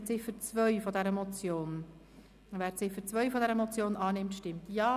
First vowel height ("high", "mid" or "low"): high